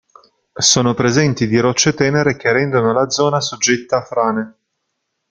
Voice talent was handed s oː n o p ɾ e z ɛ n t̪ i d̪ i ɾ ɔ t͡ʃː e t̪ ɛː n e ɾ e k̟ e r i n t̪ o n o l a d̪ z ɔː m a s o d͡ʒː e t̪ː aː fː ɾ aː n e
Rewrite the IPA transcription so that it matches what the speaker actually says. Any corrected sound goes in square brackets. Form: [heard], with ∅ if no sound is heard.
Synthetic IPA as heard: s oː n o p ɾ e z ɛ n t̪ i d̪ i ɾ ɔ t͡ʃː e t̪ ɛː n e ɾ e k̟ e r [ɛ] n [d̪] o n o l a d̪ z ɔː [n] a s o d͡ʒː e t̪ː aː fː ɾ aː n e